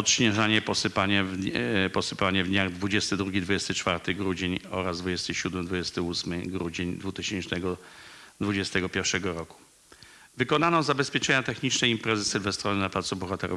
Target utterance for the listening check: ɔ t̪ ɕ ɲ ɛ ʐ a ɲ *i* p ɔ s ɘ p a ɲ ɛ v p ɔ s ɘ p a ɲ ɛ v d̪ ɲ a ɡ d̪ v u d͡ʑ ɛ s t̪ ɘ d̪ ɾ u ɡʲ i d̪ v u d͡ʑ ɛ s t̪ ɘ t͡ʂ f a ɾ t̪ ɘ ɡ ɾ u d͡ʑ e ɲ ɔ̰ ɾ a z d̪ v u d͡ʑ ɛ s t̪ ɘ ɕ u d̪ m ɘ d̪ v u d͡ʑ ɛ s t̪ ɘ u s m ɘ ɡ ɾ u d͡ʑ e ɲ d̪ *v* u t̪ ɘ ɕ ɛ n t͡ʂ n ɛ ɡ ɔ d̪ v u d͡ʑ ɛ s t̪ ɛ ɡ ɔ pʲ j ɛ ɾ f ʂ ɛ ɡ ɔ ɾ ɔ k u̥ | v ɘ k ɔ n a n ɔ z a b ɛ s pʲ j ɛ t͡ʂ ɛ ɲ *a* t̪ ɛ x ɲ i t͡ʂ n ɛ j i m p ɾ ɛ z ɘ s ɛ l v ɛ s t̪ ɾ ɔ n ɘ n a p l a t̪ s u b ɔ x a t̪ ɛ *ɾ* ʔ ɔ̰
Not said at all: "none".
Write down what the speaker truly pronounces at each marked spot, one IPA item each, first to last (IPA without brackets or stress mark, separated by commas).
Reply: ɛ, v, a, ɾ